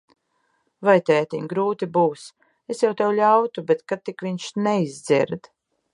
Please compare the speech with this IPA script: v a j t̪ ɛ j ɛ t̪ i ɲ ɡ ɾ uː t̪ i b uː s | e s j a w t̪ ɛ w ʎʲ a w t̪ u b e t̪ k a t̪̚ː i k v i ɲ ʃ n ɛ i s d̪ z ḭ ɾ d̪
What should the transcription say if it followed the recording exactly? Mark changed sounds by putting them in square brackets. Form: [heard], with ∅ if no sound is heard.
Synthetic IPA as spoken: v a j t̪ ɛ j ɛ t̪ i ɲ ɡ ɾ uː t̪ i b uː s | e s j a w t̪ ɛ w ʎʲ a w t̪ u b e t̪ k a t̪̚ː i k v i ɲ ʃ n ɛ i [z] d̪ z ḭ ɾ d̪